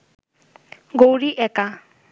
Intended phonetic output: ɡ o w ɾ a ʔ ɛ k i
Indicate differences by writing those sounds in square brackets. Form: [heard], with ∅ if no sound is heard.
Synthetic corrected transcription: ɡ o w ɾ [i] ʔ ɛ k [a]